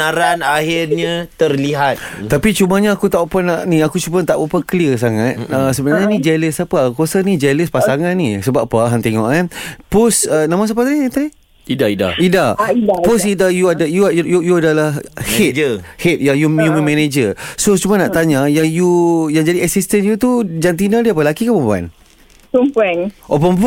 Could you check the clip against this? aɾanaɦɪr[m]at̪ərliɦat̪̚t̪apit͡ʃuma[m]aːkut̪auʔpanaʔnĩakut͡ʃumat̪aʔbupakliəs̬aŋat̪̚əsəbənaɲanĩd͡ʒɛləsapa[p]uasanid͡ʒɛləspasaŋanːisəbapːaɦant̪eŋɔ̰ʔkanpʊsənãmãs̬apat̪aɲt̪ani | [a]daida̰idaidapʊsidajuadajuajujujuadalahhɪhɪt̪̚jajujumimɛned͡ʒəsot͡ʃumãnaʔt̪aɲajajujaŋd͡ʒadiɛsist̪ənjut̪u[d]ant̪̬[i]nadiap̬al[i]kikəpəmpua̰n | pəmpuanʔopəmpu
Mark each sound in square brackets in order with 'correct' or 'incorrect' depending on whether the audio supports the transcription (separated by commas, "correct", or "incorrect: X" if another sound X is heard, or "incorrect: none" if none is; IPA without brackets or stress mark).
incorrect: ɲ, incorrect: ɲ, incorrect: k, incorrect: i, incorrect: d͡ʒ, correct, incorrect: a